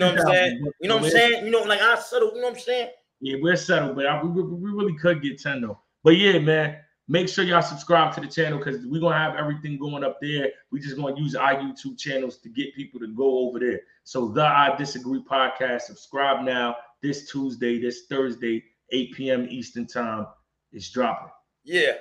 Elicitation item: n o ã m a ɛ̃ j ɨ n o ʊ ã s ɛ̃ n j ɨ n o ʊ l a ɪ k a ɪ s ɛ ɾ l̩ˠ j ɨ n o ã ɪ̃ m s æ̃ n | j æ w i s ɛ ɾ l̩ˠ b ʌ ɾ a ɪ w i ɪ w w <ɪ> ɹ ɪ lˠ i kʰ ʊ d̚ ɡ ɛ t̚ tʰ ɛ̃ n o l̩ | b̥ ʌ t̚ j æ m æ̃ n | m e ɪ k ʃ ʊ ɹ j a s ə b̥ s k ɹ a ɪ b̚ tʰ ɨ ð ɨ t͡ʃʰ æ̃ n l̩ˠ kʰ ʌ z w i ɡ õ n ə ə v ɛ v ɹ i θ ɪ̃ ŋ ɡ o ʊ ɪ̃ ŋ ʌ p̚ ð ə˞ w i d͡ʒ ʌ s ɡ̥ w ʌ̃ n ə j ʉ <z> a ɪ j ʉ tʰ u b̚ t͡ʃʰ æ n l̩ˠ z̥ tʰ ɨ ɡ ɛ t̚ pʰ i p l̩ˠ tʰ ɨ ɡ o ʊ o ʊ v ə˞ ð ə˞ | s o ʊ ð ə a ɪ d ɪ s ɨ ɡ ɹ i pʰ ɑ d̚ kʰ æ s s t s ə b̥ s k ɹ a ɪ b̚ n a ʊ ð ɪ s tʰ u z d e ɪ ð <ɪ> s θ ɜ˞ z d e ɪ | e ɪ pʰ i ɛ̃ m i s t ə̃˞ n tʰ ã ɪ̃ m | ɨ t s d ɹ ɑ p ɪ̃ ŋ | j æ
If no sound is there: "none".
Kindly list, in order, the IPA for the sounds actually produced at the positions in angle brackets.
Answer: i, z, ɪ

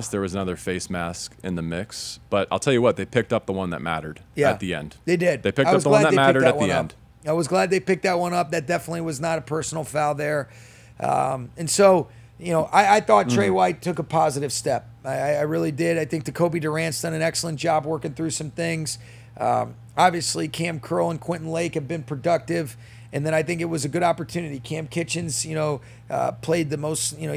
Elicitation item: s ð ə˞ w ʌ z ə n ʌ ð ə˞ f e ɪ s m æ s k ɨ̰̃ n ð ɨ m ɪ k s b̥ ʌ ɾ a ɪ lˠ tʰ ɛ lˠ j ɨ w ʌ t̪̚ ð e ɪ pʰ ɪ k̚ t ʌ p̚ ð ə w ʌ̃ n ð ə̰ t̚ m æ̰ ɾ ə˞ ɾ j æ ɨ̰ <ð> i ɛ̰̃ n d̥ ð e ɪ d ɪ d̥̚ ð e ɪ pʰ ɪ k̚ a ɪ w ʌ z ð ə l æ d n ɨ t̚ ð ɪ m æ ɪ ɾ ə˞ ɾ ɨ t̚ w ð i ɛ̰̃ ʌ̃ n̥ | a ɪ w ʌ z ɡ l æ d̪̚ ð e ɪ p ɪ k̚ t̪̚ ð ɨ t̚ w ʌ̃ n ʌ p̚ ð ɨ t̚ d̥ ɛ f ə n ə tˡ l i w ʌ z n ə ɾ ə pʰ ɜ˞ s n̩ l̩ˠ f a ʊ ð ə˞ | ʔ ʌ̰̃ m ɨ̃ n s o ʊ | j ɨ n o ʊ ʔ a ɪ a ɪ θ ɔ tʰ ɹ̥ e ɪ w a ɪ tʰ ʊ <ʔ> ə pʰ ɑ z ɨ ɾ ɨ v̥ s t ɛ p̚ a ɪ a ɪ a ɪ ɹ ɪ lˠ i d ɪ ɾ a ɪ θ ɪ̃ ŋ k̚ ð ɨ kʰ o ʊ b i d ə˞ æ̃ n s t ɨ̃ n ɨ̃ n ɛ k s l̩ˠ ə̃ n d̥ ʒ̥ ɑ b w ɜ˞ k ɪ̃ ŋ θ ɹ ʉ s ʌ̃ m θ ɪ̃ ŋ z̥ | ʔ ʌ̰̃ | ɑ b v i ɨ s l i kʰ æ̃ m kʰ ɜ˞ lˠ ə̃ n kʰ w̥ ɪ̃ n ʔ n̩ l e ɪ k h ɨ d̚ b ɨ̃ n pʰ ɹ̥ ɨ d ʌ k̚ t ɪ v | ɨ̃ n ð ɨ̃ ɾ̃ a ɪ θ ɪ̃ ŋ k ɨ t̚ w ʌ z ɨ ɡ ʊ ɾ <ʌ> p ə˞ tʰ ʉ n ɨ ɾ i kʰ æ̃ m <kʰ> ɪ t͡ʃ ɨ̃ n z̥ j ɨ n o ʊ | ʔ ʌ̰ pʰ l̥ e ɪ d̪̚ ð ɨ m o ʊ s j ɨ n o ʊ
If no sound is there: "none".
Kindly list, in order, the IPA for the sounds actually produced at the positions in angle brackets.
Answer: ð, k, ɑ, kʰ

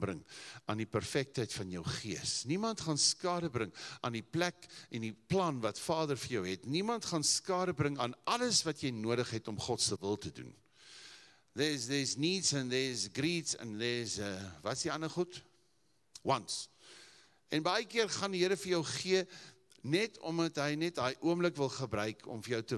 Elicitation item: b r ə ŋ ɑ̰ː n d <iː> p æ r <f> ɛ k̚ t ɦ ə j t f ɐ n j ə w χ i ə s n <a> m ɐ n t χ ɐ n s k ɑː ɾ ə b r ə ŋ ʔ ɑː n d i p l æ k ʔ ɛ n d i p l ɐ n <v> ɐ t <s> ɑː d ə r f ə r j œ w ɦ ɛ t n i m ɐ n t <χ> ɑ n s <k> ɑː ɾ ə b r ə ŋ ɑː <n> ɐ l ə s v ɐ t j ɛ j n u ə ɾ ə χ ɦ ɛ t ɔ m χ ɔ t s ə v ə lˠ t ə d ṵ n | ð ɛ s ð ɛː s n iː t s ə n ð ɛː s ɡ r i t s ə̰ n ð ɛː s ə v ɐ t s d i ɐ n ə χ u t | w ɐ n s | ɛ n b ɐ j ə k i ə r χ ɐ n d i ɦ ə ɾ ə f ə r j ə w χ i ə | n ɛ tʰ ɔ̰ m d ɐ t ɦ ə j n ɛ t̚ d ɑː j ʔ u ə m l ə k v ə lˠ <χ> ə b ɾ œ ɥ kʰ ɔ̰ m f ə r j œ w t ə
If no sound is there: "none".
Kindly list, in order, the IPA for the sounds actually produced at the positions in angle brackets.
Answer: i, f, i, v, f, χ, k, n, χ

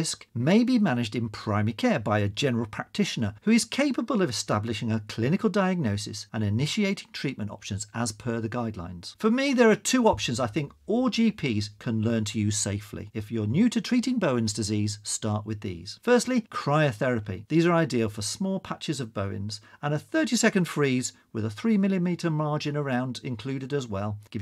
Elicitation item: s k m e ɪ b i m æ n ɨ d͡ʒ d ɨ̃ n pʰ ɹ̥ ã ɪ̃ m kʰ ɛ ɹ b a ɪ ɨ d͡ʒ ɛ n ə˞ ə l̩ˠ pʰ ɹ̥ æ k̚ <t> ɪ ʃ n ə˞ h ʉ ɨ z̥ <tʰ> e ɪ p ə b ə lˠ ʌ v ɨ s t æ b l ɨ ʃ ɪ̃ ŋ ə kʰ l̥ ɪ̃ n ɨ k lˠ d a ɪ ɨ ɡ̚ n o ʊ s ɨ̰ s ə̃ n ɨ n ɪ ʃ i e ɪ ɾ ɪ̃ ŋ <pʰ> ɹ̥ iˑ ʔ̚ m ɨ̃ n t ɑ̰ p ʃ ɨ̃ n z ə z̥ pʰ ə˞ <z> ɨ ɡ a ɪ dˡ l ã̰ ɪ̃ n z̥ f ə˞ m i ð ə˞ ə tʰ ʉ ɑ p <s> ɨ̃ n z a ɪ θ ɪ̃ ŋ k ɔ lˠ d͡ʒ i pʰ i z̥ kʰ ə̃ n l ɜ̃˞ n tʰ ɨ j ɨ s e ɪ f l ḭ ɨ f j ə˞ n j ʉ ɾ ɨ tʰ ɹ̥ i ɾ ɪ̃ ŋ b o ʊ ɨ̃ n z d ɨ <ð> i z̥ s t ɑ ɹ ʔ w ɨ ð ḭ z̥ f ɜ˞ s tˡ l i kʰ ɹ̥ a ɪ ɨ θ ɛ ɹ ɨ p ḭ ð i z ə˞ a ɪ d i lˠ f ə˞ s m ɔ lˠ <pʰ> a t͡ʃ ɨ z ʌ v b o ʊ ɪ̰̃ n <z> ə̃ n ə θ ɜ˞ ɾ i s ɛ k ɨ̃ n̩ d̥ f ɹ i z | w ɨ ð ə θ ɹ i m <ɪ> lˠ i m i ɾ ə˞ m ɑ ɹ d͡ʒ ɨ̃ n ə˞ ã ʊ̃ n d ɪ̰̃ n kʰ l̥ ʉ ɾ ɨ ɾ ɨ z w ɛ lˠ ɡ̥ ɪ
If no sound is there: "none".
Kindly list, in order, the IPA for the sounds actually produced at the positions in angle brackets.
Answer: tʰ, kʰ, tʰ, ð, ʃ, z, pʰ, z, ɪ

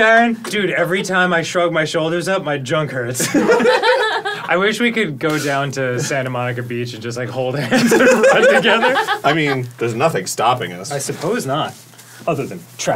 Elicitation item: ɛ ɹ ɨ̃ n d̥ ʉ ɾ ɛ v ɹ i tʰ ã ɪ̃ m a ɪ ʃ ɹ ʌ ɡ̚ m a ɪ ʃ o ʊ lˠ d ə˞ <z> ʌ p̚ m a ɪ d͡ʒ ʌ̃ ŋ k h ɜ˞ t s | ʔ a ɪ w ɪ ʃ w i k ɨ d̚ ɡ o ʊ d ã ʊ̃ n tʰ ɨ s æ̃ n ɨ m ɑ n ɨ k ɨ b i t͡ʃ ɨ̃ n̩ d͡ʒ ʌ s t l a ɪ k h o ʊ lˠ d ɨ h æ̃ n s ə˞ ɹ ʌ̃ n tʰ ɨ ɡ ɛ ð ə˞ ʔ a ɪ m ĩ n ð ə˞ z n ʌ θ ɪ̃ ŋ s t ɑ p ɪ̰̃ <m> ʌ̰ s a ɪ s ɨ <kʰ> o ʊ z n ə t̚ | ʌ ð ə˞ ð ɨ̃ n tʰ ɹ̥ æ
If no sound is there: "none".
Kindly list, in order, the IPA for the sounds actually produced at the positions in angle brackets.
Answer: z, ŋ, pʰ

